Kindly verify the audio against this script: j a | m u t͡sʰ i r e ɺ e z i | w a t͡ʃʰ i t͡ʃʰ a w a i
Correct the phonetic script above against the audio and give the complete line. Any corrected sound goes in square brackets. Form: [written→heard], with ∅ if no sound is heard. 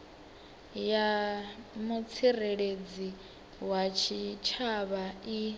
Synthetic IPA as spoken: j a | m u t͡sʰ i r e ɺ e [z→d͡z] i | w a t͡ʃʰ i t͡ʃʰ a [w→β] a i